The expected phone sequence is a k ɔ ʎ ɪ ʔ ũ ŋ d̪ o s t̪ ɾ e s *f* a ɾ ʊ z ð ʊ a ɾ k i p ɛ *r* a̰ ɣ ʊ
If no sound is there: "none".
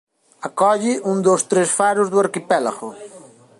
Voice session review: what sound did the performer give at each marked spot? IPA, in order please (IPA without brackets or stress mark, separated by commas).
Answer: f, l